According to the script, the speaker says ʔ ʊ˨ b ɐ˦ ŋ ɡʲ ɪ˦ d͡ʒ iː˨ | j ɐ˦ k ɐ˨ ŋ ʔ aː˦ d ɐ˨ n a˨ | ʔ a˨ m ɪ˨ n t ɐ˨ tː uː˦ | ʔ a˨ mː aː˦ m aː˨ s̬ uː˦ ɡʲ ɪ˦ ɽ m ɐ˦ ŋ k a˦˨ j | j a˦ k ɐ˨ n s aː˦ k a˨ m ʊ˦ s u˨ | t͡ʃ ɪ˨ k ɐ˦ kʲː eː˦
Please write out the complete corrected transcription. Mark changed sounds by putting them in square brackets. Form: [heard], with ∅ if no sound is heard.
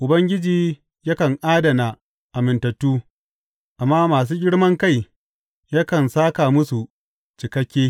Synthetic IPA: ʔ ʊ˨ b ɐ˦ ŋ ɡʲ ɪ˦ d͡ʒ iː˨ | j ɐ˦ k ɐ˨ ŋ ʔ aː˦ d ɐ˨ n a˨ | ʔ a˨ m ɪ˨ n t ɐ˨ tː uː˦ | ʔ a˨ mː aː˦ m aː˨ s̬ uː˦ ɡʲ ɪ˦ ɽ m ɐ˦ ŋ k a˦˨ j | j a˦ k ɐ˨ n s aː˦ k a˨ m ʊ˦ s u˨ | t͡ʃ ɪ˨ k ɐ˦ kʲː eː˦